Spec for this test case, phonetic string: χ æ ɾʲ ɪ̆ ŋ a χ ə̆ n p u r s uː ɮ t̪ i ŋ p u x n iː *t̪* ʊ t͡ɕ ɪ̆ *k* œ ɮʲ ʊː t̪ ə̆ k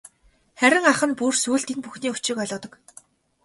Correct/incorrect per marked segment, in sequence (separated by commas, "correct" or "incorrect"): incorrect, correct